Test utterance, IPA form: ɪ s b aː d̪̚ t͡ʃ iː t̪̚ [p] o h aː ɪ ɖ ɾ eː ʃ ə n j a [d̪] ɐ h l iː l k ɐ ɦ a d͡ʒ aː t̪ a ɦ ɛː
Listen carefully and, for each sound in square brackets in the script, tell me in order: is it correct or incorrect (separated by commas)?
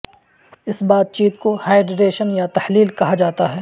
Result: incorrect, incorrect